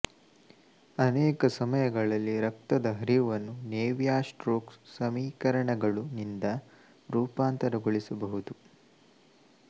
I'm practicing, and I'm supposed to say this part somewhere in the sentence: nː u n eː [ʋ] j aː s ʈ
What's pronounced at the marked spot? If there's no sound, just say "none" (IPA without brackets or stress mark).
ʋ